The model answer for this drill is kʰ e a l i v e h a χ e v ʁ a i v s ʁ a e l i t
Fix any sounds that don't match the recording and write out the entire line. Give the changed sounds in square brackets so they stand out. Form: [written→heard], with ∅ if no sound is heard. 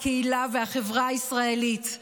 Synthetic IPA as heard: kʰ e [a→i] l [i→a] v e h a χ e v ʁ a i [v→∅] s ʁ a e l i t